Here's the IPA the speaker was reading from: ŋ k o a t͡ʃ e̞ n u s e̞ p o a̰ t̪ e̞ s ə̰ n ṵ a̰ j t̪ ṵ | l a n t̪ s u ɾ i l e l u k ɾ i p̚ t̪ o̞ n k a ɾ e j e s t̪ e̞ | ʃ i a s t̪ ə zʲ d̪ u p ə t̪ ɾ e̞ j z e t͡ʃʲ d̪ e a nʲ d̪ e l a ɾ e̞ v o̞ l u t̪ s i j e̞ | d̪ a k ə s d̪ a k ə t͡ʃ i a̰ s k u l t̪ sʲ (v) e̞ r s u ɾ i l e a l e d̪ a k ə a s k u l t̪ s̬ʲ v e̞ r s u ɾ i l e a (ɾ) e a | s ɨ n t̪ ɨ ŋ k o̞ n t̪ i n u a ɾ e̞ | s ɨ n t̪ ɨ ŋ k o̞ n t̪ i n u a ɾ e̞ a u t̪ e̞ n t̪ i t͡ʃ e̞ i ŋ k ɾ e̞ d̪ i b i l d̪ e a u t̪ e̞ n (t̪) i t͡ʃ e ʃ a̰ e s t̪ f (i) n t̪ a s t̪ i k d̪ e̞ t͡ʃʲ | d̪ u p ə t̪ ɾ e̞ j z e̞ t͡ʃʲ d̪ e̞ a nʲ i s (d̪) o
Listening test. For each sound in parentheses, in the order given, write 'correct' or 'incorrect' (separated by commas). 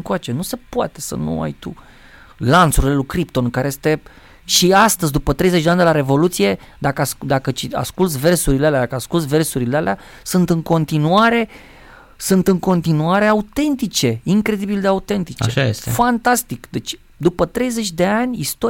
correct, incorrect, correct, incorrect, incorrect